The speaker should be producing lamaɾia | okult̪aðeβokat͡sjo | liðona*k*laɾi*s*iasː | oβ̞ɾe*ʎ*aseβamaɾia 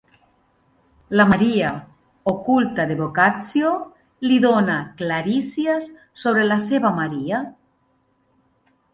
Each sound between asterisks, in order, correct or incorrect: correct, correct, incorrect

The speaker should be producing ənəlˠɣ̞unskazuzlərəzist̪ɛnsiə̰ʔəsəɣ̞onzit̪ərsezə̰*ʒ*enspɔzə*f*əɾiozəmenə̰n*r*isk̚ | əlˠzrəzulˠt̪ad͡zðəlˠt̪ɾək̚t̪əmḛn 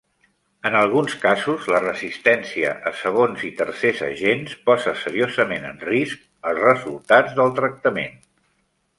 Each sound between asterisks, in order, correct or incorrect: correct, incorrect, correct

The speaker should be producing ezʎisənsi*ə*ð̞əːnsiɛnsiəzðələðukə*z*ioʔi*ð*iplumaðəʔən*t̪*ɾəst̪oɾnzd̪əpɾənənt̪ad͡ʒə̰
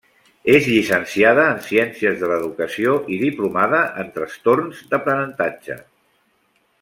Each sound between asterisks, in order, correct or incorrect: incorrect, incorrect, correct, correct

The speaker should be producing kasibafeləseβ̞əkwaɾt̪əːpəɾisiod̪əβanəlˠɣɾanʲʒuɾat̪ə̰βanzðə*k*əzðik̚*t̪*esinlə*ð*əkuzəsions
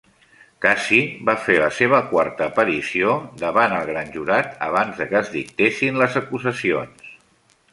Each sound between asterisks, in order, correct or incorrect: correct, correct, incorrect

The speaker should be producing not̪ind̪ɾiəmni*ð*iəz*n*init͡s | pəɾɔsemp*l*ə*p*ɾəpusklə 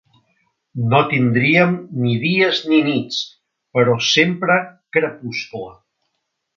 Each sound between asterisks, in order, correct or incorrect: correct, correct, incorrect, incorrect

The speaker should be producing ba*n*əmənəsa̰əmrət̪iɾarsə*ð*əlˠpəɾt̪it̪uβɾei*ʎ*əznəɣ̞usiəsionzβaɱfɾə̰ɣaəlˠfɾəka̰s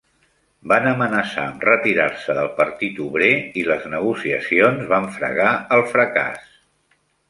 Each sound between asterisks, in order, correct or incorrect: correct, correct, incorrect

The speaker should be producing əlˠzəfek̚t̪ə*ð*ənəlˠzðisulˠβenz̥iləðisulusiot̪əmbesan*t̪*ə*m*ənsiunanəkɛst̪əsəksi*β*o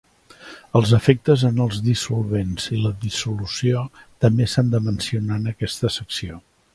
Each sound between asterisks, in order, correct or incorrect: incorrect, incorrect, correct, incorrect

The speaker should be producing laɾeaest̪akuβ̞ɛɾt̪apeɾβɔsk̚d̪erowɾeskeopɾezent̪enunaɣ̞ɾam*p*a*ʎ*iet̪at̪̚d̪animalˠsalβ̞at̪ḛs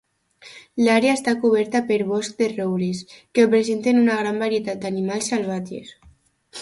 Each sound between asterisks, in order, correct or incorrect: incorrect, incorrect

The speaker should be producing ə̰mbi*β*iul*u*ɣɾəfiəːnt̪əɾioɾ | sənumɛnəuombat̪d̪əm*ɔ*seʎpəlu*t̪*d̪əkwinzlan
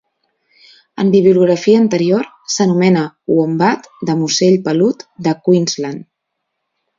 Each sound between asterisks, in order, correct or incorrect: correct, correct, incorrect, correct

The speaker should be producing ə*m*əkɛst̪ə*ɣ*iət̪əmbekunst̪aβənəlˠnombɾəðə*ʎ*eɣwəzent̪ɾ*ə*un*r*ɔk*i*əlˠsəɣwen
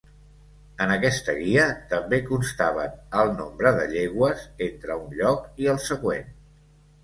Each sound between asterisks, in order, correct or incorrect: incorrect, correct, correct, correct, incorrect, correct

